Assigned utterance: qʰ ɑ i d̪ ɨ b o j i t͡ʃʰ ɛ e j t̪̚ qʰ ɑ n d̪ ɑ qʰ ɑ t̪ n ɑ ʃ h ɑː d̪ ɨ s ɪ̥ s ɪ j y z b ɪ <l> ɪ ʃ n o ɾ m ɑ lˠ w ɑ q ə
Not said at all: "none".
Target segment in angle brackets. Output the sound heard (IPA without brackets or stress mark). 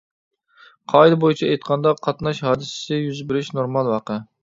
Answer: ɾ